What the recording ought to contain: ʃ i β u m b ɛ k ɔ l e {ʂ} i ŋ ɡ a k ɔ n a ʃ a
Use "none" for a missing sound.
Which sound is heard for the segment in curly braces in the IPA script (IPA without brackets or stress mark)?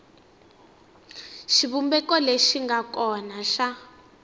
ʃ